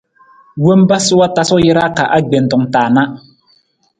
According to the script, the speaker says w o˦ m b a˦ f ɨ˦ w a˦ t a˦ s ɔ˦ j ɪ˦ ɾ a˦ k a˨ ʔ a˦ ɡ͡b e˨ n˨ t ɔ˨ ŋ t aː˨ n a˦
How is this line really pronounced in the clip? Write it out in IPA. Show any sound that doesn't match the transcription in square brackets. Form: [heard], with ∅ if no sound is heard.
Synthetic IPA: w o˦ m b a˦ [s] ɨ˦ w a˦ t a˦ s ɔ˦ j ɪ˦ ɾ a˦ k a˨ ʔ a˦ ɡ͡b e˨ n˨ t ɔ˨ ŋ t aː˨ n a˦